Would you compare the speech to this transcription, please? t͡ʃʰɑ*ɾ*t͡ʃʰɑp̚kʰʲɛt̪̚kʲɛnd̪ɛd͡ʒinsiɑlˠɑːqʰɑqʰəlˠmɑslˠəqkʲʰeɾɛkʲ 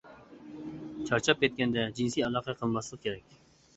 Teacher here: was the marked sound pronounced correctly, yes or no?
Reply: yes